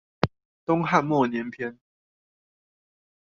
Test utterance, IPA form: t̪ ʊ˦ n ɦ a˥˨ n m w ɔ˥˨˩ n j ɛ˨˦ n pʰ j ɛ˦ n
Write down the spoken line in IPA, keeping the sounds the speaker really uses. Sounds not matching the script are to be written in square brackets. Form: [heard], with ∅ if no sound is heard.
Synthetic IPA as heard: t̪ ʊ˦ [ŋ] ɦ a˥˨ n m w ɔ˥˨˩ n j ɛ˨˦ n pʰ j ɛ˦ n